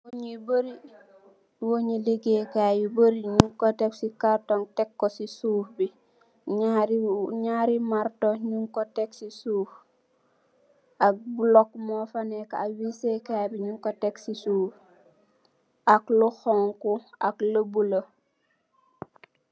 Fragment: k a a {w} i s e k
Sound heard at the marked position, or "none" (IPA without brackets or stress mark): w